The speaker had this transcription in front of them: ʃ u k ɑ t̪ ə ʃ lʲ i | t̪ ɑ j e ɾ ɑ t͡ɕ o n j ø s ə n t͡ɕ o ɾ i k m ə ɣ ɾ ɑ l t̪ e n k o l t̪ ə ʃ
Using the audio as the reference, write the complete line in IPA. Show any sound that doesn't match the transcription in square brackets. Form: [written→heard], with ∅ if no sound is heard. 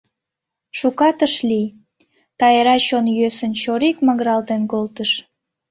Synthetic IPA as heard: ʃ u k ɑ t̪ ə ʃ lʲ i | t̪ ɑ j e ɾ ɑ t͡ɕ o n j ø s ə n t͡ɕ o ɾ i k m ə ɣ ɾ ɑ l t̪ e n k o l t̪ ə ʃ